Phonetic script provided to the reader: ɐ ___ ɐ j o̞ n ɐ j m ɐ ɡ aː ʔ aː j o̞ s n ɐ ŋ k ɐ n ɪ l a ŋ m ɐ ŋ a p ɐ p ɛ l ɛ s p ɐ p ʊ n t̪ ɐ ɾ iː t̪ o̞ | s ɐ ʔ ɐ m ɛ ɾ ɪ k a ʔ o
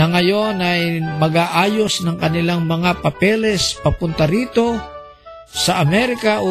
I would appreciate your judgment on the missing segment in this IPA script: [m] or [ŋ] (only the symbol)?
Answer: ŋ